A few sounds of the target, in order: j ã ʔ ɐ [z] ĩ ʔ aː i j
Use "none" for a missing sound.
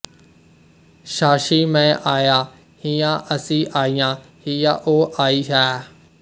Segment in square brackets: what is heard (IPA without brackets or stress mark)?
s